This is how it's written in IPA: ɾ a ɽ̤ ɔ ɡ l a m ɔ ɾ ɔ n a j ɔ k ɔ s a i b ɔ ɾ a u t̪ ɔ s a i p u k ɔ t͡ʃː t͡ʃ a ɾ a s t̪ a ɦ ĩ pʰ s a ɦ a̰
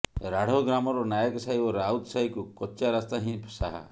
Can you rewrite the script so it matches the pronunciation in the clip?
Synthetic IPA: ɾ a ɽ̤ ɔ ɡ ɾ a m ɔ ɾ ɔ n a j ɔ k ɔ s a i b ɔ ɾ a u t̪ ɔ s a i k u k ɔ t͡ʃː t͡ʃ a ɾ a s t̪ a ɦ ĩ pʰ s a ɦ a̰